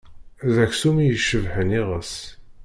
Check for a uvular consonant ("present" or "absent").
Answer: present